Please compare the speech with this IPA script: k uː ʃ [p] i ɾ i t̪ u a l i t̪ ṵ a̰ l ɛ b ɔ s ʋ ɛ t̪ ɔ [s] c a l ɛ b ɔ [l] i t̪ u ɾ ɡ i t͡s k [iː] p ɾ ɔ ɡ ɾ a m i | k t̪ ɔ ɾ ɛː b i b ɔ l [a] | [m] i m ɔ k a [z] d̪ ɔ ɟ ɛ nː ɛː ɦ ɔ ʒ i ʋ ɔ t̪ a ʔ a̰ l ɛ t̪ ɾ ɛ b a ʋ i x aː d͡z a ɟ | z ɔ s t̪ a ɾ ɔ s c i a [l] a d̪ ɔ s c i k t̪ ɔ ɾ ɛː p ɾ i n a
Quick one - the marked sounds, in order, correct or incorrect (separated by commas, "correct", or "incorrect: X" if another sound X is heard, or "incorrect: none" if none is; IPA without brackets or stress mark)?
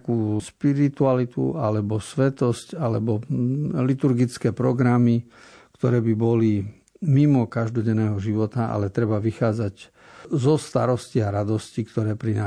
correct, correct, correct, incorrect: ɛː, incorrect: i, correct, incorrect: ʒ, incorrect: ɾ